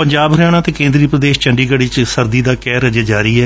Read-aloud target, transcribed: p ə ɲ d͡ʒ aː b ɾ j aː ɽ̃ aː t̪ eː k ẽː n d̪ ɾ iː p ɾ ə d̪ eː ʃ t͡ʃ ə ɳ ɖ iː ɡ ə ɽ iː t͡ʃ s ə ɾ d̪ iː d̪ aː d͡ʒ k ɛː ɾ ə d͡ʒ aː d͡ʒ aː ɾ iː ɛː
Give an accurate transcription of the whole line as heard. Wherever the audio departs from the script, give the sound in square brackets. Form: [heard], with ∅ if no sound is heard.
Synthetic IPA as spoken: p ə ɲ d͡ʒ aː b ɾ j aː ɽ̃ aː t̪ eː k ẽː n d̪ ɾ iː p ɾ ə d̪ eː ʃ t͡ʃ ə ɳ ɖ iː ɡ ə ɽ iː t͡ʃ s ə ɾ d̪ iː d̪ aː [∅] k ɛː ɾ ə d͡ʒ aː d͡ʒ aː ɾ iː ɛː

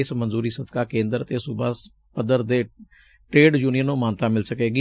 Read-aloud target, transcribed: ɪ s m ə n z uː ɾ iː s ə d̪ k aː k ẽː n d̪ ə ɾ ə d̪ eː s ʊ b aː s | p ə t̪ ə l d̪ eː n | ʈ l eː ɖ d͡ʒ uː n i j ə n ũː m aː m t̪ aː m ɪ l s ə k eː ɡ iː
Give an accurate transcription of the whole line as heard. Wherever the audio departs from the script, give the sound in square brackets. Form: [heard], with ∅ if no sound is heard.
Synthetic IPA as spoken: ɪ s m ə n z uː ɾ iː s ə d̪ k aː k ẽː n d̪ ə ɾ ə [t̪] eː s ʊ b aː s | p ə [d̪] ə [ɾ] d̪ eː [∅] | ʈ [ɾ] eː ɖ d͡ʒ uː n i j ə n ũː m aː [n] t̪ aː m ɪ l s ə k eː ɡ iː

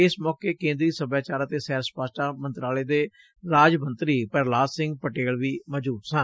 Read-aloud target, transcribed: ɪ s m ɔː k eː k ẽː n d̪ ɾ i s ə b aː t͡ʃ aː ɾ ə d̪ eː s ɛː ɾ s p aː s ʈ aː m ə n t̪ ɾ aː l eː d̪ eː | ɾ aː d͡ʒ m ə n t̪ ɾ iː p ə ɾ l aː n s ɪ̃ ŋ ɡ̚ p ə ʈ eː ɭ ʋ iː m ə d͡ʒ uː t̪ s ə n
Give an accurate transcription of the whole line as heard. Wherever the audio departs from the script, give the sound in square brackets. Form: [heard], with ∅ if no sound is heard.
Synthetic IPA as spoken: ɪ s m ɔː k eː k ẽː n d̪ ɾ [iː] s ə b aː t͡ʃ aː ɾ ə [t̪] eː s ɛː ɾ s p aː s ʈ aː m ə n t̪ ɾ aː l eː d̪ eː | ɾ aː d͡ʒ m ə n t̪ ɾ iː p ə ɾ l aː [∅] s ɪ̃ ŋ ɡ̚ p ə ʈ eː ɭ ʋ iː m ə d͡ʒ uː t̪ s ə n

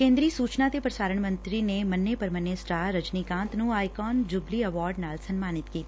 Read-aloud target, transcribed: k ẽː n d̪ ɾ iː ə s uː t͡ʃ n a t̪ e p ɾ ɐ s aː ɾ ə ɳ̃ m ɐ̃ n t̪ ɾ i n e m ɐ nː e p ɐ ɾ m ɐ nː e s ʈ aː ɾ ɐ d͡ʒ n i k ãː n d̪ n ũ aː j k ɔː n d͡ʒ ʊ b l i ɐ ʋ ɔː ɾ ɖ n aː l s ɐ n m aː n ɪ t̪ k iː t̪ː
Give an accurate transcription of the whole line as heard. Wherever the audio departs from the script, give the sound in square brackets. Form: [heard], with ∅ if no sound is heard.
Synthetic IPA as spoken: k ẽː n d̪ ɾ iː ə s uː t͡ʃ n a t̪ e p ɾ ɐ s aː ɾ ə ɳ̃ m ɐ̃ n t̪ ɾ i n e m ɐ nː e p ɐ ɾ m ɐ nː e s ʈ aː ɾ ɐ d͡ʒ n i k ãː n [t̪] n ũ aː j k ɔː n d͡ʒ ʊ b l i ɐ ʋ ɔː ɾ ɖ n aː l s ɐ n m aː n ɪ t̪ k iː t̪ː

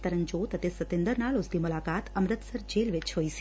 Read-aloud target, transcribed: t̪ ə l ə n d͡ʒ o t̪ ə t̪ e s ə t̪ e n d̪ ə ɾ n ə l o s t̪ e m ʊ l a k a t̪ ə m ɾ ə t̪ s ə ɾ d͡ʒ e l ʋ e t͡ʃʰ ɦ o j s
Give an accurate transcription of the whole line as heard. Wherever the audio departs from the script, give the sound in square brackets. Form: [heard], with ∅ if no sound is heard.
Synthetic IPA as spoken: t̪ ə [ɾ] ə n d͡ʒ o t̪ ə t̪ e s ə t̪ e n d̪ ə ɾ n [a] l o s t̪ [i] m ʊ l a k a t̪ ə m ɾ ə t̪ s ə ɾ d͡ʒ e l ʋ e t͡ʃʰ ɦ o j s

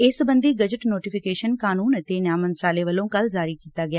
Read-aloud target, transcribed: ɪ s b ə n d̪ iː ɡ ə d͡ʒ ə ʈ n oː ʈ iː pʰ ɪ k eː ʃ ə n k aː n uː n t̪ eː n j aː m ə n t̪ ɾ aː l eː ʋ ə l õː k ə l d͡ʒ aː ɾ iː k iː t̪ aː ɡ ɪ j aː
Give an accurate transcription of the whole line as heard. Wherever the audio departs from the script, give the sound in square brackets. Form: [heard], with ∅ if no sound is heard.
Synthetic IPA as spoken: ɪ s b ə n d̪ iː ɡ ə d͡ʒ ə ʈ n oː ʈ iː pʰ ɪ k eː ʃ ə n k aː n uː n t̪ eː n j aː m ə n t̪ ɾ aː l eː ʋ ə l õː k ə l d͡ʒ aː ɾ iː k iː t̪ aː ɡ ɪ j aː

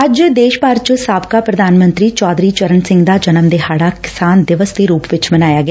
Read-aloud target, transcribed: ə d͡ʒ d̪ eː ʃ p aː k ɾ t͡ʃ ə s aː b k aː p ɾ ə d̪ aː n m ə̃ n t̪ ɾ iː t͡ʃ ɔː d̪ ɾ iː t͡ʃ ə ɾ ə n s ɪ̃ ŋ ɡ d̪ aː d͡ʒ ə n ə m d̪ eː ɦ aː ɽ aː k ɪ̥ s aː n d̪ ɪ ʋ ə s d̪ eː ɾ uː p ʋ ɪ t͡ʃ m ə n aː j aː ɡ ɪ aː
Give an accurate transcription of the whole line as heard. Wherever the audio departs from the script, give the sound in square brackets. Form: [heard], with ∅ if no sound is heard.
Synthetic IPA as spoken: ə d͡ʒ d̪ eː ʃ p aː [∅] ɾ t͡ʃ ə s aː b k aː p ɾ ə d̪ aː n m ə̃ n t̪ ɾ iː t͡ʃ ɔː d̪ ɾ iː t͡ʃ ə ɾ ə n s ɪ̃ ŋ ɡ d̪ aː d͡ʒ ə n ə m d̪ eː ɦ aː ɽ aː k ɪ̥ s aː n d̪ ɪ ʋ ə s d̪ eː ɾ uː p ʋ ɪ t͡ʃ m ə n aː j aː ɡ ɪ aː

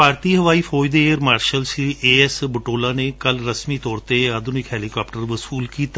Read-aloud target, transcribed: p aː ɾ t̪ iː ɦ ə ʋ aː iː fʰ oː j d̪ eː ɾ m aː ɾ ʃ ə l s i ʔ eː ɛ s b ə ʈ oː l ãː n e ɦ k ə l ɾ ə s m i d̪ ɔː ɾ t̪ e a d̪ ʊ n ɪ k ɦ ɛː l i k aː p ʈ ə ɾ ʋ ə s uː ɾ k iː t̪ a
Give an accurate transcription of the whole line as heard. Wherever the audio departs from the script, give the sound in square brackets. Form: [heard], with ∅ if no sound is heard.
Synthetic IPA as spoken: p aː ɾ t̪ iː ɦ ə ʋ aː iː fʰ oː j d̪ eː ɾ m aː ɾ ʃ ə l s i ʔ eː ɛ s b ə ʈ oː l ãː n e [∅] k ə l ɾ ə s m i [t̪] ɔː ɾ t̪ e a d̪ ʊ n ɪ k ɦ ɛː l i k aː p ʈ ə ɾ ʋ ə s uː [l] k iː t̪ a

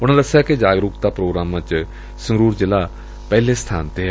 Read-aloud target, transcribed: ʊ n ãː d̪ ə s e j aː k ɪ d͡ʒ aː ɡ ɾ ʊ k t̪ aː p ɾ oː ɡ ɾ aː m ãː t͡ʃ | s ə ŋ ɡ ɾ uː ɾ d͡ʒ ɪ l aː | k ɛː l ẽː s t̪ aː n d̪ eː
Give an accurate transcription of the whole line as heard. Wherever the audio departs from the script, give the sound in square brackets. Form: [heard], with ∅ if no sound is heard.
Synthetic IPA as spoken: ʊ n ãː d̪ ə s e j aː k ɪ d͡ʒ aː ɡ ɾ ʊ k t̪ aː p ɾ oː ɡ ɾ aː m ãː t͡ʃ | s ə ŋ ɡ ɾ uː ɾ d͡ʒ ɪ l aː | [p] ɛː l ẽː s [t̪ʰ] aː n [t̪] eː

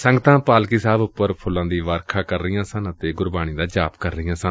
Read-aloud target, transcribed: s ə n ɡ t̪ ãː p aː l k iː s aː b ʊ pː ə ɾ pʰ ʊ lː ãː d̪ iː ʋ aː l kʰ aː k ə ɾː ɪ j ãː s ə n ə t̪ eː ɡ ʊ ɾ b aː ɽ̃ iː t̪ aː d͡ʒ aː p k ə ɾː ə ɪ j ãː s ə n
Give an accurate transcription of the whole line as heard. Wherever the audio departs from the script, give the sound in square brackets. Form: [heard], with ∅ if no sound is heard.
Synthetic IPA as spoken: s ə [ŋ] ɡ t̪ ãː p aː l k iː s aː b ʊ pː ə ɾ pʰ ʊ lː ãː d̪ iː ʋ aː [ɾ] kʰ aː k ə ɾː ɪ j ãː s ə n ə t̪ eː ɡ ʊ ɾ b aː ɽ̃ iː [d̪] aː d͡ʒ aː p k ə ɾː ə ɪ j ãː s ə n

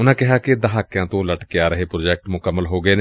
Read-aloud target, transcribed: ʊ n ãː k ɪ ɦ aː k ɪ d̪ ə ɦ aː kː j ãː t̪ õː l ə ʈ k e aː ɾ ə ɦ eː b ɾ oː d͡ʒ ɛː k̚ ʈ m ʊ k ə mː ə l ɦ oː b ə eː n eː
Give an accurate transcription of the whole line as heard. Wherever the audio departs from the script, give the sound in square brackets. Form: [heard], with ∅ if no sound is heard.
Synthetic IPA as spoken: ʊ n ãː k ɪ ɦ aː k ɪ d̪ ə ɦ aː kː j ãː t̪ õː l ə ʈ k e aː ɾ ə ɦ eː [p] ɾ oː d͡ʒ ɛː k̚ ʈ m ʊ k ə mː ə l ɦ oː [ɡ] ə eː n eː

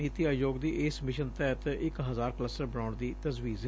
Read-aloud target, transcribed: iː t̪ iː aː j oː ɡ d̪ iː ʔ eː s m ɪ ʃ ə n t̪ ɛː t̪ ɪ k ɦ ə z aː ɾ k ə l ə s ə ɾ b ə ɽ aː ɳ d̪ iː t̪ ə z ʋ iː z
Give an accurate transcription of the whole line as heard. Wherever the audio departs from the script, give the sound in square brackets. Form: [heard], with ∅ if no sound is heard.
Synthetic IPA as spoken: iː t̪ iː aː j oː ɡ d̪ iː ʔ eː s m ɪ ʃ ə n t̪ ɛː t̪ ɪ k ɦ ə z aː ɾ k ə l ə s ə ɾ b ə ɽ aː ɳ d̪ iː t̪ ə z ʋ iː z

